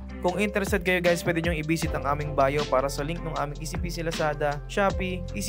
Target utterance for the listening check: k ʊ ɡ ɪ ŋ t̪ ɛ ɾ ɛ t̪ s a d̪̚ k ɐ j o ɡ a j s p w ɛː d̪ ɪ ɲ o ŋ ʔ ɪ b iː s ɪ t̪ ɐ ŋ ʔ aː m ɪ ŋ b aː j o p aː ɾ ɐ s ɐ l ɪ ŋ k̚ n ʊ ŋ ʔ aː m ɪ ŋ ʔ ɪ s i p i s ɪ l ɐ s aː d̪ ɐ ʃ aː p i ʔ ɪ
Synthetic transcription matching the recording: k ʊ ŋ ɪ n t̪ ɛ ɾ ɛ s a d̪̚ k ɐ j o ɡ a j s p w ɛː d̪ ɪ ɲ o ŋ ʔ ɪ b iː s ɪ t̪ ɐ ŋ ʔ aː m ɪ ŋ b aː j o p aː ɾ ɐ s ɐ l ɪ ŋ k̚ n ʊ ŋ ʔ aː m ɪ ŋ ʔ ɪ s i p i s ɪ l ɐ s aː d̪ ɐ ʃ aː p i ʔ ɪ